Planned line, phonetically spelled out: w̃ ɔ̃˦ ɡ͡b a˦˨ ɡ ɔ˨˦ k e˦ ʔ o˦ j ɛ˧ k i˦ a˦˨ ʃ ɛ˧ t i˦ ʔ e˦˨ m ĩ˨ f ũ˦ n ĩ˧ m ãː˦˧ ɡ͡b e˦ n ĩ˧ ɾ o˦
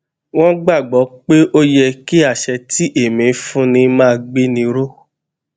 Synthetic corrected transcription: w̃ ɔ̃˦ ɡ͡b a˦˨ ɡ͡b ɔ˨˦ k͡p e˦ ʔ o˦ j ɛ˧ k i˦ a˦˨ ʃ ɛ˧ t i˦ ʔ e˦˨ m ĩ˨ f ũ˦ n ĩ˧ m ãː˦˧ ɡ͡b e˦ n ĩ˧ ɾ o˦